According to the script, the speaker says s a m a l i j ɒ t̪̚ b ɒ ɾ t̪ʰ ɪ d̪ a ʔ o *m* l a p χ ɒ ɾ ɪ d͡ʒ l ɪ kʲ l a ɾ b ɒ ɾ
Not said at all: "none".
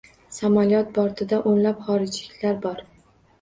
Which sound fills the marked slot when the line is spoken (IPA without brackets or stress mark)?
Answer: n